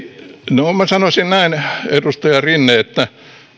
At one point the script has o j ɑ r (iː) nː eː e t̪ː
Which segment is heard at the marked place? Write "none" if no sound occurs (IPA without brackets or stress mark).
i